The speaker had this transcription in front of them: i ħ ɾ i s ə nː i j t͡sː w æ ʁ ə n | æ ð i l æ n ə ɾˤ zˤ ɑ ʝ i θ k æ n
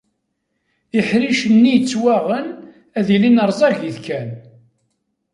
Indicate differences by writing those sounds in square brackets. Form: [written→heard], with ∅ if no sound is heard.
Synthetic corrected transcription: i ħ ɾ i [s→ʃ] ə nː i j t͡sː w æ ʁ ə n | æ ð i l [æ→i] n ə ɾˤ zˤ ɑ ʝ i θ k æ n